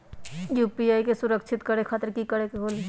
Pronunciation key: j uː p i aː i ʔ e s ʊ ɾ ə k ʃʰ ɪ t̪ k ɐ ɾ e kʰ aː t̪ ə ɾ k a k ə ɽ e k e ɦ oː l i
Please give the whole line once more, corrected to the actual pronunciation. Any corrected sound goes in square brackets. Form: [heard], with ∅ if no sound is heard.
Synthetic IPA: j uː p i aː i [k] e s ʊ ɾ ə k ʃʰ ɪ t̪ k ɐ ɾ e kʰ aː t̪ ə ɾ k [i] k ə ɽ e k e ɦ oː l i